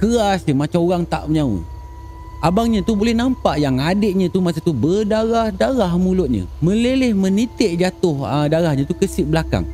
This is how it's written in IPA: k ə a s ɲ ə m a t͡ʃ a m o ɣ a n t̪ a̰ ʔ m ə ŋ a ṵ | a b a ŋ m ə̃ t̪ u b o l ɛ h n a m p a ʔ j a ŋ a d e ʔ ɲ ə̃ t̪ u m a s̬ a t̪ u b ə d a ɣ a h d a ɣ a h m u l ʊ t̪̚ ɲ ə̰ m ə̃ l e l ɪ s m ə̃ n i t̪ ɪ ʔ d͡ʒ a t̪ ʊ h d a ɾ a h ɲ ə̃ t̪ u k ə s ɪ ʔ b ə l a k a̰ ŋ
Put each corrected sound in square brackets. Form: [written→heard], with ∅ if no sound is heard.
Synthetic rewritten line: k ə a s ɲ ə m a t͡ʃ a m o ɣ a [n→ŋ] t̪ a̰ ʔ m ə [ŋ→ɲ] a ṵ | a b a ŋ [m→ɲ] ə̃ t̪ u b o l ɛ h n a m p a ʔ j a ŋ a d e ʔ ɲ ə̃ t̪ u m a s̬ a t̪ u b ə d a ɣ a h d a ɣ a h m u l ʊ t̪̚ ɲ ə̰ m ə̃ l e l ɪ [s→h] m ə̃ n i t̪ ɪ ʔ d͡ʒ a t̪ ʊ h d a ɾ a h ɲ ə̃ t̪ u k ə s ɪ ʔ b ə l a k a̰ ŋ